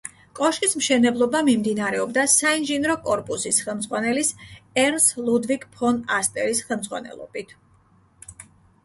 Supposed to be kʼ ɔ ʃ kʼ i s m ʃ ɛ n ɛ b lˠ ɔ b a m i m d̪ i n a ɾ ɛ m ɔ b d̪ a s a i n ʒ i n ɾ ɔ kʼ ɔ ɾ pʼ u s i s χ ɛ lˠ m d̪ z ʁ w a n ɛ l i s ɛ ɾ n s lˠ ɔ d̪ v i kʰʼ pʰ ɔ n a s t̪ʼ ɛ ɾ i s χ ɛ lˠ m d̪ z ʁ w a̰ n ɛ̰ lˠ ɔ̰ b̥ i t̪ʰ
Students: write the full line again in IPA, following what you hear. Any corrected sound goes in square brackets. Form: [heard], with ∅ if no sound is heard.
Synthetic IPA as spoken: kʼ ɔ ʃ kʼ i s m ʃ ɛ n ɛ b lˠ ɔ b a m i m d̪ i n a ɾ ɛ [∅] ɔ b d̪ a s a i n ʒ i n ɾ ɔ kʼ ɔ ɾ pʼ u s i s χ ɛ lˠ m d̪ z ʁ w a n ɛ l i s ɛ ɾ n s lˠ [u] d̪ v i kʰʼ pʰ ɔ n a s t̪ʼ ɛ ɾ i s χ ɛ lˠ m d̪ z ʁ w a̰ n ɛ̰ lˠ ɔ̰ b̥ i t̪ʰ